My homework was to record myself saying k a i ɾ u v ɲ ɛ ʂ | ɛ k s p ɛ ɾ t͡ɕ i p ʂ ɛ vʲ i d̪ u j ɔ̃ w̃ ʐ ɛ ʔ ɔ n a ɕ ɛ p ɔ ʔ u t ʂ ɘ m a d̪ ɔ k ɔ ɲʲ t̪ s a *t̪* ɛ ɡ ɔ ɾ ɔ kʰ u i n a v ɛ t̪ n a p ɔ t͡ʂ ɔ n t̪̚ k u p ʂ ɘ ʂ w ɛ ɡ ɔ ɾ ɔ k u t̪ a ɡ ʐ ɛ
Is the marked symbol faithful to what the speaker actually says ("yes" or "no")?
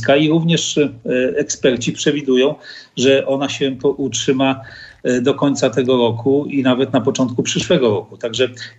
yes